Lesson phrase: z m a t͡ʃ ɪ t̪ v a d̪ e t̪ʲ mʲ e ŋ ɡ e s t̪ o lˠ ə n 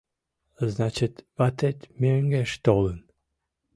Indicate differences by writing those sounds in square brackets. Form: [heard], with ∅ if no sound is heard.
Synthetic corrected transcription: z [n] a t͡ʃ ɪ t̪ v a [t̪] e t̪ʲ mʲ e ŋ ɡ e [ʃ] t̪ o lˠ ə n